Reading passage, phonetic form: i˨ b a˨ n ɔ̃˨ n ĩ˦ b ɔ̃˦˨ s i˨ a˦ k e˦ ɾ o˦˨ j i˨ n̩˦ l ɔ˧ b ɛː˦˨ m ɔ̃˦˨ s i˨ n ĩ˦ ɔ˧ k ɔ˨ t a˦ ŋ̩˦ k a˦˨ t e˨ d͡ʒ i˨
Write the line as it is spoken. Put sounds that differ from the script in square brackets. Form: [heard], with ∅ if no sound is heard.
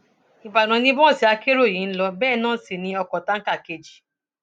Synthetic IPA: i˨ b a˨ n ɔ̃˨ n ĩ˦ b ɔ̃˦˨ s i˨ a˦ k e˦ ɾ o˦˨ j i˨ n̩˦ l ɔ˧ b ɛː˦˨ [n] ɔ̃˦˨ s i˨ n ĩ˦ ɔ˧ k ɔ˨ t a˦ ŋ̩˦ k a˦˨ [k] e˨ d͡ʒ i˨